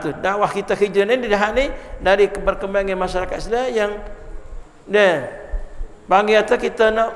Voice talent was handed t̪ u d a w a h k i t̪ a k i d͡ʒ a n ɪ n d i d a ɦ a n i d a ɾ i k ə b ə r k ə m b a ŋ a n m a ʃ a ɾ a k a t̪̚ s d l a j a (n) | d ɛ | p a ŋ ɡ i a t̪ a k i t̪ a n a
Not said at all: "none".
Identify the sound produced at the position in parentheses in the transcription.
ŋ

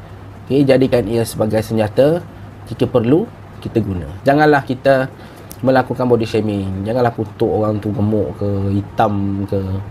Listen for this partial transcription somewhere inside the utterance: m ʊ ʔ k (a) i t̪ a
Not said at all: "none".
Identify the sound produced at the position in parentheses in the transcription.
ə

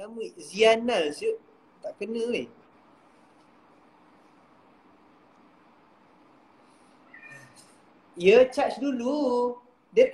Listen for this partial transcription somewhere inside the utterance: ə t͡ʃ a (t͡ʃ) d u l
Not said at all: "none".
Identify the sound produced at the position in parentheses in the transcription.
t͡ʃ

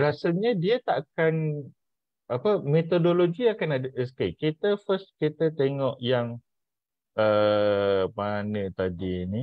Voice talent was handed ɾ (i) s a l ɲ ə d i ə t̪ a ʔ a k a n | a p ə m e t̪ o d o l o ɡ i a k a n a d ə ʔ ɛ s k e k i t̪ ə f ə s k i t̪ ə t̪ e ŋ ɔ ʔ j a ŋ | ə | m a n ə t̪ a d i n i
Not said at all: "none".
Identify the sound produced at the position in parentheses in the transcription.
a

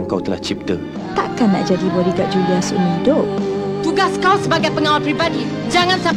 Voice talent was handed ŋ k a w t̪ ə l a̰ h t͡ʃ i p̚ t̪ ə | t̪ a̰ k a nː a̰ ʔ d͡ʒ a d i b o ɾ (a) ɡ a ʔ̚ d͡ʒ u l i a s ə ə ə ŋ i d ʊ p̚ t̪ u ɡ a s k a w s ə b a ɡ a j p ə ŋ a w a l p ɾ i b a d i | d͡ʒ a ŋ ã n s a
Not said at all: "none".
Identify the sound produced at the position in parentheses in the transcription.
i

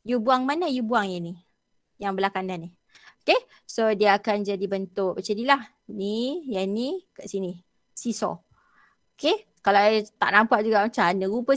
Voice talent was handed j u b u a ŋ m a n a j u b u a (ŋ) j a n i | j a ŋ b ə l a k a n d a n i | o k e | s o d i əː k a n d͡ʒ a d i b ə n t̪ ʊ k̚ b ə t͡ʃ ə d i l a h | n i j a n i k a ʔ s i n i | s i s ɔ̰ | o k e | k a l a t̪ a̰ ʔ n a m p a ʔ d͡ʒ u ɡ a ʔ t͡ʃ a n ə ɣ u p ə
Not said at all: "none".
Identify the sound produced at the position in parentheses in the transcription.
ŋ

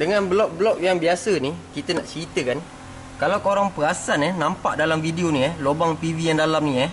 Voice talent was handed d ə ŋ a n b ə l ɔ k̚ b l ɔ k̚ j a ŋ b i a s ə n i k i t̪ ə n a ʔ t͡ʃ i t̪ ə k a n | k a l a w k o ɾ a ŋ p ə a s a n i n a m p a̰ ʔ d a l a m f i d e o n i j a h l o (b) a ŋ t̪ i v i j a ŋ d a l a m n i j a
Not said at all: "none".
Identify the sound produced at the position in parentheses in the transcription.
b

